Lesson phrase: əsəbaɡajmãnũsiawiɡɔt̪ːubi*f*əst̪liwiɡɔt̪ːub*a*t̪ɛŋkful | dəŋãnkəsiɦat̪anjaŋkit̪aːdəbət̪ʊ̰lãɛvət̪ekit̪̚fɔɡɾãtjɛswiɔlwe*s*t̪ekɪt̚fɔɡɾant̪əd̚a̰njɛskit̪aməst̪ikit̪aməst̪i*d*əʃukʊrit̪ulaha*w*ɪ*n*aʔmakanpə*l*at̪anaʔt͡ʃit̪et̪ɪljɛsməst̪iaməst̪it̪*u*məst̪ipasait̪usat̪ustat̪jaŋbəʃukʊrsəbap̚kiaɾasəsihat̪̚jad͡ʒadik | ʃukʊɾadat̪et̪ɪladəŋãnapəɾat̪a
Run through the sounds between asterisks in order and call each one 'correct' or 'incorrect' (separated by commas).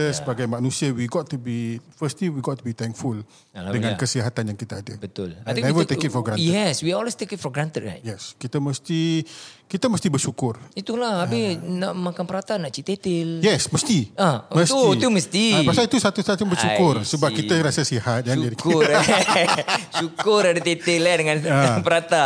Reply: correct, incorrect, correct, incorrect, incorrect, correct, incorrect, correct